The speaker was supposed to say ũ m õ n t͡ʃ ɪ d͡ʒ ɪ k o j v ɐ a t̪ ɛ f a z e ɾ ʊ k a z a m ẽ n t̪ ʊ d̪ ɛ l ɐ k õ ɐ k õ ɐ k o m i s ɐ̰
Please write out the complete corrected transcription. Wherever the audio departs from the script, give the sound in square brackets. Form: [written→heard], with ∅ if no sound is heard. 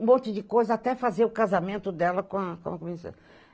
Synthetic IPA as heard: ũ m õ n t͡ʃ ɪ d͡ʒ ɪ k o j [v→z] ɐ a t̪ ɛ f a z e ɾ ʊ k a z a m ẽ n t̪ ʊ d̪ ɛ l ɐ k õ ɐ k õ ɐ k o m i s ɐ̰